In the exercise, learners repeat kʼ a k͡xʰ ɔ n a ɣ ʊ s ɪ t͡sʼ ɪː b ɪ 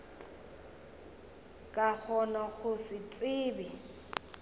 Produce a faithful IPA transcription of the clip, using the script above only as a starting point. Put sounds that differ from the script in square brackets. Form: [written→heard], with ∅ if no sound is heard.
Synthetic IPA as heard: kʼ a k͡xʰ ɔ n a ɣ ʊ s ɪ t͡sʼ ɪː b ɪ